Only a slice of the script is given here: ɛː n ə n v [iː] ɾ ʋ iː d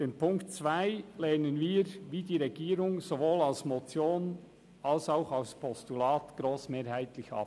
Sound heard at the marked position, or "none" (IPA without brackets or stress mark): iː